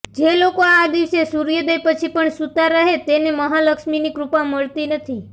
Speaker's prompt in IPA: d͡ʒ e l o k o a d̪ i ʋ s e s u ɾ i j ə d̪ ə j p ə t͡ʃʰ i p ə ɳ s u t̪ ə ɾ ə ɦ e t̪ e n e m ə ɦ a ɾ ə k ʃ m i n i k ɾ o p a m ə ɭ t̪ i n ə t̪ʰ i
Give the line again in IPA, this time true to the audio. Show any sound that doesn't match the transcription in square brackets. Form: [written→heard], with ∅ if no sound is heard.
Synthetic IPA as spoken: d͡ʒ e l o k o a d̪ i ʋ s e s u ɾ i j ə d̪ ə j p ə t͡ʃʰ i p ə ɳ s u t̪ [ə→a] ɾ ə ɦ e t̪ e n e m ə ɦ a [ɾ→l] ə k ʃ m i n i k ɾ [o→u] p a m ə ɭ t̪ i n ə t̪ʰ i